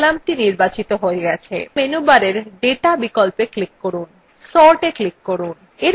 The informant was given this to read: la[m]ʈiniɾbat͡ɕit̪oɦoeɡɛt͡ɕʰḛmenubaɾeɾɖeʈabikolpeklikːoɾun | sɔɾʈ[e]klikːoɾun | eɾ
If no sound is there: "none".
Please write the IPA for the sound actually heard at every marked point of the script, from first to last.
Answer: m, e

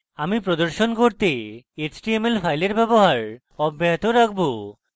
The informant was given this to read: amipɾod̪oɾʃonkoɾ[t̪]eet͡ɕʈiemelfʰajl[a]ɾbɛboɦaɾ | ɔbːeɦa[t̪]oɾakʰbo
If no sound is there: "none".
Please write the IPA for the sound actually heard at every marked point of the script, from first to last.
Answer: t̪, e, t̪

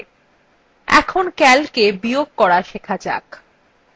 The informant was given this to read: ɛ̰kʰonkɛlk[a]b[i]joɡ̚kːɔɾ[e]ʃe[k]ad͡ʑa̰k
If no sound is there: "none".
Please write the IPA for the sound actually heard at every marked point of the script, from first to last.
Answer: e, i, a, kʰ

